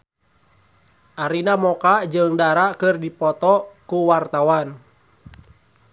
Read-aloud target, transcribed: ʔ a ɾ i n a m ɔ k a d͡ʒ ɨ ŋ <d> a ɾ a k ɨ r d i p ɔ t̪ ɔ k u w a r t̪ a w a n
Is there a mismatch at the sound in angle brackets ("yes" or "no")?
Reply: no